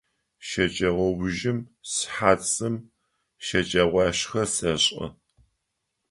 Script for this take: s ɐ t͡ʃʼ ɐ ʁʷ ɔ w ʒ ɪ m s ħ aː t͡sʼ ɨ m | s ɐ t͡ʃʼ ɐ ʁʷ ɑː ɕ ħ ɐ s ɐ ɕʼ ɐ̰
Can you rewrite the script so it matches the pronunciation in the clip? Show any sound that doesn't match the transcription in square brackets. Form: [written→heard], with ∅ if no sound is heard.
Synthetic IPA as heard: [s→ʃ] ɐ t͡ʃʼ ɐ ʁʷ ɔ w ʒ ɪ m s ħ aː t͡sʼ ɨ m | [s→ʃ] ɐ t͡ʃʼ ɐ ʁʷ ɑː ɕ [ħ→x] ɐ s ɐ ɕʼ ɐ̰